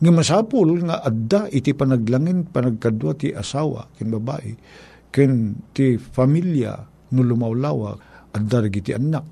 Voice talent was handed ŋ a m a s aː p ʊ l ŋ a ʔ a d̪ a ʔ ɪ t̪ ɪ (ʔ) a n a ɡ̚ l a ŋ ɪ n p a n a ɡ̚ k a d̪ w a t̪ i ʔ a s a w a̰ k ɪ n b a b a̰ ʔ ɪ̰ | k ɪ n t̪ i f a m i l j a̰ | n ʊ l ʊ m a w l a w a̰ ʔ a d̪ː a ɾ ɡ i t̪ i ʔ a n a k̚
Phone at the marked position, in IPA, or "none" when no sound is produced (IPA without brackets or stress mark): p